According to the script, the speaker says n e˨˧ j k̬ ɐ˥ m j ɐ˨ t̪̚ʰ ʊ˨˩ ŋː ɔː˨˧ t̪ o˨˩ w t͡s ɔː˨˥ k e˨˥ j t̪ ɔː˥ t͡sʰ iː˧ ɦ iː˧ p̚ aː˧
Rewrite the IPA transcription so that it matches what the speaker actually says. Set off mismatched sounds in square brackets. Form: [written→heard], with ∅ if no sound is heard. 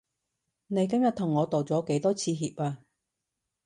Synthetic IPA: n e˨˧ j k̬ ɐ˥ m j ɐ˨ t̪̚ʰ ʊ˨˩ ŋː ɔː˨˧ t̪ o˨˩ w t͡s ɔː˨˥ k e˨˥ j t̪ ɔː˥ t͡sʰ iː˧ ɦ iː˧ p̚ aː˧